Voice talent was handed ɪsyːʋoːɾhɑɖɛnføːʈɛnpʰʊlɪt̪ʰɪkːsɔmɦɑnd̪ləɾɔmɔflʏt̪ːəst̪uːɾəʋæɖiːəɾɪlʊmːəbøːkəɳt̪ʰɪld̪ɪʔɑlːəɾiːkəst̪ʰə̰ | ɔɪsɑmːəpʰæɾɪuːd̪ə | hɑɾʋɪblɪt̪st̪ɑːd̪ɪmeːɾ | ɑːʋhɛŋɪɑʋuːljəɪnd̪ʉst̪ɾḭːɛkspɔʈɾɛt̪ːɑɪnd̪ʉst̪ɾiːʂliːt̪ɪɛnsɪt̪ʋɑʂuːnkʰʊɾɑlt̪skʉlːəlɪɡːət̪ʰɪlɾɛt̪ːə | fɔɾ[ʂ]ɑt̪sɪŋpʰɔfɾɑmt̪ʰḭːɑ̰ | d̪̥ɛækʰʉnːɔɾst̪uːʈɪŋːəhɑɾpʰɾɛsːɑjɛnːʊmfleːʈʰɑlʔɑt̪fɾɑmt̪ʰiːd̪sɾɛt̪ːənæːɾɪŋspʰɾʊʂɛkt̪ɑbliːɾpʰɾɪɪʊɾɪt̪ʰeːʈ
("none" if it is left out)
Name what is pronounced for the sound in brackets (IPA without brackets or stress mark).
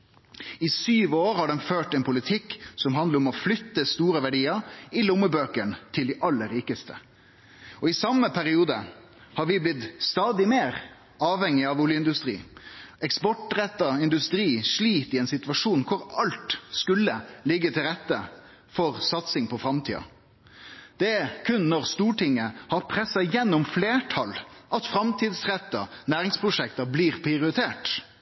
s